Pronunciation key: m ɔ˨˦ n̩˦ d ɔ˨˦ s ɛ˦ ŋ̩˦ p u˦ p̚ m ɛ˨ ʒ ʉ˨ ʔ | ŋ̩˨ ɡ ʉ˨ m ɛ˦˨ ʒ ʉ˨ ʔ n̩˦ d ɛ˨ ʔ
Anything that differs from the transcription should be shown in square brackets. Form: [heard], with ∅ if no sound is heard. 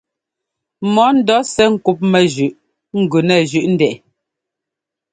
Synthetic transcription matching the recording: m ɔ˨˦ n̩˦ d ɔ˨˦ s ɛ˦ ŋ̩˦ [k] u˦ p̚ m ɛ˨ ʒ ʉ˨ ʔ | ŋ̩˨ ɡ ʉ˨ [n] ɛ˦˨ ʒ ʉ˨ ʔ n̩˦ d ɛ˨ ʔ